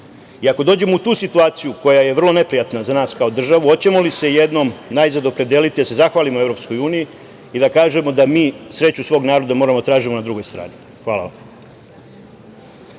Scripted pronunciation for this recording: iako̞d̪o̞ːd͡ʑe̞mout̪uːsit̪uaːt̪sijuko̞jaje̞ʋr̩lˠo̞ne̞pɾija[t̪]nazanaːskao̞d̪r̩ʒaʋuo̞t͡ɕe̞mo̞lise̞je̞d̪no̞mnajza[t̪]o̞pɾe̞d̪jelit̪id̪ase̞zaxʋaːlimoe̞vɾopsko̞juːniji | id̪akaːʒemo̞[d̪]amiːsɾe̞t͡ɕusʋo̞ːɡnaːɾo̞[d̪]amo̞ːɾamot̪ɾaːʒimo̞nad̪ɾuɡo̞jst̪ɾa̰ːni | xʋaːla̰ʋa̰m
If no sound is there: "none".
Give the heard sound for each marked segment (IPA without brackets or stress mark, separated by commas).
t̪, d̪, d̪, d̪